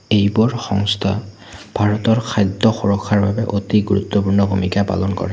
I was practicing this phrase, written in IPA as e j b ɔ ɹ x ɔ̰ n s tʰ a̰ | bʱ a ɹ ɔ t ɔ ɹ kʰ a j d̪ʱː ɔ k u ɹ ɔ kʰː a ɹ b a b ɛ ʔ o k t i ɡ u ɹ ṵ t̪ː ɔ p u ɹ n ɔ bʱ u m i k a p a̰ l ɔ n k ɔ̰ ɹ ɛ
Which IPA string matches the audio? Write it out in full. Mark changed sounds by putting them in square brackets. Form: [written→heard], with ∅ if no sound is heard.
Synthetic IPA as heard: e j b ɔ ɹ x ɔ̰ [n→ŋ] s tʰ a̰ | bʱ a ɹ ɔ t ɔ ɹ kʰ a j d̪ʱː ɔ [k→x] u ɹ ɔ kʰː a ɹ b a b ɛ ʔ o [k→∅] t i ɡ u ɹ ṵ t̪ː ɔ p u ɹ n ɔ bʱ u m i k a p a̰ l ɔ n k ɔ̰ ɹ ɛ